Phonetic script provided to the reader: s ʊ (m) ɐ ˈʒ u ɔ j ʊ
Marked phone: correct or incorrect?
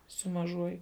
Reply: correct